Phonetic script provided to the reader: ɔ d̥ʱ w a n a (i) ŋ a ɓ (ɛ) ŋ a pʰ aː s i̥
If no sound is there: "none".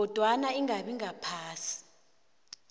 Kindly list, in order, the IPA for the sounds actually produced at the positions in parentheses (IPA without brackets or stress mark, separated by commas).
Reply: i, i